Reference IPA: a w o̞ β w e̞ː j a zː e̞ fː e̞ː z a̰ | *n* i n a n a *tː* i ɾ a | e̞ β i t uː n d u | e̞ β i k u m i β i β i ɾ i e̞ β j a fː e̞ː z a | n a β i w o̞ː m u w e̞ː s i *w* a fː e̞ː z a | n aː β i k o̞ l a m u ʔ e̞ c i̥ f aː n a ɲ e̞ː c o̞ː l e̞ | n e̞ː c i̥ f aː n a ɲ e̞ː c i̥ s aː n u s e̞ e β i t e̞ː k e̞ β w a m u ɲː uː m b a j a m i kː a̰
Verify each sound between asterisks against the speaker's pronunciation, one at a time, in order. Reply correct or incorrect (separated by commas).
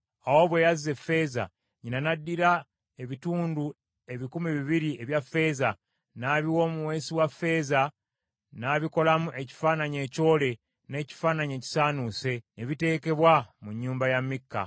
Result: incorrect, incorrect, correct